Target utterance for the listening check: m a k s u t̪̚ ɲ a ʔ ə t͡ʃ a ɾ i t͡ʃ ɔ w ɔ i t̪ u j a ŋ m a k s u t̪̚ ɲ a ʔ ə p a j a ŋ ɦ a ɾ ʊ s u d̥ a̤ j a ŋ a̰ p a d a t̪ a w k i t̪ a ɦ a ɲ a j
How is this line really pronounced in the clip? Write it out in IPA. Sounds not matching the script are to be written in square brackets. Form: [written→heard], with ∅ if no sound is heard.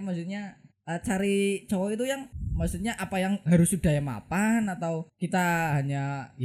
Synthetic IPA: m a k s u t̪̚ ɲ a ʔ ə t͡ʃ a ɾ i t͡ʃ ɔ w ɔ i t̪ u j a ŋ m a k s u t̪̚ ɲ a ʔ [ə→a] p a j a ŋ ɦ a ɾ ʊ s u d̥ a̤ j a [ŋ→m] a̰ p a [d→n] a t̪ a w k i t̪ a ɦ a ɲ a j